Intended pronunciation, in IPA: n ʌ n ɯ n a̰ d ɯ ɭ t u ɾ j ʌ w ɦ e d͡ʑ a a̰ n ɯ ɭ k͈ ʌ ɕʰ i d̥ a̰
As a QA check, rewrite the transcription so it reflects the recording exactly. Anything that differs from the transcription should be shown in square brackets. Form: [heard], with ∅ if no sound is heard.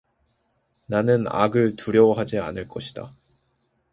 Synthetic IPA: n [a] n ɯ n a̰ [ɡ] ɯ ɭ t u ɾ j ʌ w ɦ [a] d͡ʑ [i] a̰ n ɯ ɭ k͈ ʌ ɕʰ i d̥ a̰